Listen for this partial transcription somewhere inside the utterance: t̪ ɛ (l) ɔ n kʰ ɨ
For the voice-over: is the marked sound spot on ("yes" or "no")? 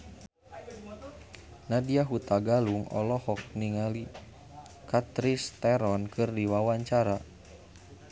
no